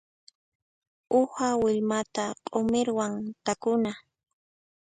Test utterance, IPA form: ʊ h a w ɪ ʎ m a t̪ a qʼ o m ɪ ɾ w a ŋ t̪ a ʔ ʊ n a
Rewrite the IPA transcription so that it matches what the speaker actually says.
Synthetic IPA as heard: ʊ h a w ɪ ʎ m a t̪ a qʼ o m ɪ ɾ w a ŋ t̪ a k ʊ n a